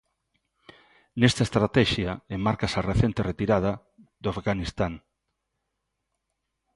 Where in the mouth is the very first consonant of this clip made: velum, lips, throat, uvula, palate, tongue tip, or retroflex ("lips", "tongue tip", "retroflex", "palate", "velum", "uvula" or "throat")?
tongue tip